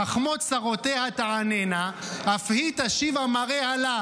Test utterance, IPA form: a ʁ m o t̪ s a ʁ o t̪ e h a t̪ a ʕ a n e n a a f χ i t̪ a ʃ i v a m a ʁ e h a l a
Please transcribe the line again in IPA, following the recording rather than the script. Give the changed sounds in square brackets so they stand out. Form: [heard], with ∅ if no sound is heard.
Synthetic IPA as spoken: a [χ] m o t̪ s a ʁ o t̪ e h a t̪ a ʕ a n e n a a f [h] i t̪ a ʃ i v a m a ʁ e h a l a